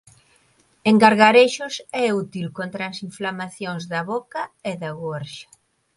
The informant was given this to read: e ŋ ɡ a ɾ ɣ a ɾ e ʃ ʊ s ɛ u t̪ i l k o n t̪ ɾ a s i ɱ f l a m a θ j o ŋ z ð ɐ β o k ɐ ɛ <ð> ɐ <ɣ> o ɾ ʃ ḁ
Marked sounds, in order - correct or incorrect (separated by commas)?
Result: correct, correct